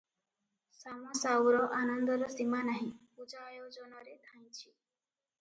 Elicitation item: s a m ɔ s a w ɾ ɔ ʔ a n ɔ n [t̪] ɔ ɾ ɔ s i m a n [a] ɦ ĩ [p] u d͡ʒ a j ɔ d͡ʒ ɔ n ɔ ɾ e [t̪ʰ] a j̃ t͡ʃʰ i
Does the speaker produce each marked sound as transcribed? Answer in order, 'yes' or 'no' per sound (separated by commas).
no, yes, yes, yes